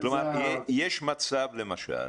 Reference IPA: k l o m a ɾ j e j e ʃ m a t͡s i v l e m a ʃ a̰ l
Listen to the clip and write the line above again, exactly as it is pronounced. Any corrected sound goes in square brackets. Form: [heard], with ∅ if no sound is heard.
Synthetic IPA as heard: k l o m a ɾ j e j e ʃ m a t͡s [a] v l e m a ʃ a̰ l